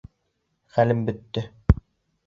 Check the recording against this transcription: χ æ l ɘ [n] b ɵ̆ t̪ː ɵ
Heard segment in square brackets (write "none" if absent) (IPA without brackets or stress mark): m